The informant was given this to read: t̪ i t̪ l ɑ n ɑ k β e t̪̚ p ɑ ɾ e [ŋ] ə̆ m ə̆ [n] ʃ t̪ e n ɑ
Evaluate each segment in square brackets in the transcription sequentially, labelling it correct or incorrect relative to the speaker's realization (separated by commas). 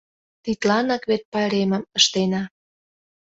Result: incorrect, incorrect